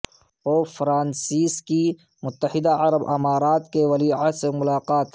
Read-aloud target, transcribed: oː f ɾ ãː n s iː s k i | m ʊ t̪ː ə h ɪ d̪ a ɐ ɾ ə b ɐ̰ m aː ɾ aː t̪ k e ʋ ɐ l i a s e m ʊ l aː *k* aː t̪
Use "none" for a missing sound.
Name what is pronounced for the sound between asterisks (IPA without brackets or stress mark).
q